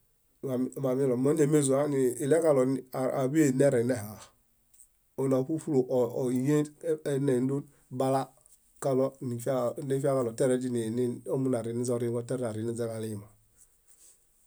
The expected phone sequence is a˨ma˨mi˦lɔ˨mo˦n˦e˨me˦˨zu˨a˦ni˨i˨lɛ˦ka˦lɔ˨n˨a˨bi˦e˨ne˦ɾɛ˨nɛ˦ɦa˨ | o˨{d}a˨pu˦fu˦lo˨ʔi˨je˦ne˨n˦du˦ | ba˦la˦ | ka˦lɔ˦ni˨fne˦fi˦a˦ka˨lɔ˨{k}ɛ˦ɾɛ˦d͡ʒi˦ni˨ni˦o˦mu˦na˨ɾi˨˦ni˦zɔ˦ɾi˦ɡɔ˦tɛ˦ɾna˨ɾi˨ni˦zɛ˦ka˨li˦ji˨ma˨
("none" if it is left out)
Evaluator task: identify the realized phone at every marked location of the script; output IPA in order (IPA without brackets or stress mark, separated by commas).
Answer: n, t